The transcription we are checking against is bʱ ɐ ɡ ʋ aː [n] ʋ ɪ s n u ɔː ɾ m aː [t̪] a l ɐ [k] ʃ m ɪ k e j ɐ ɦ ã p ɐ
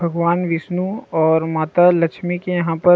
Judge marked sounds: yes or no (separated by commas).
yes, yes, yes